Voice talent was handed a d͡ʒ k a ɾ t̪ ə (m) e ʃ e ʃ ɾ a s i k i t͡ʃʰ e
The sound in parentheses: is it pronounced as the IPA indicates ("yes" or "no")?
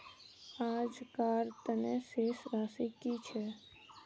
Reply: no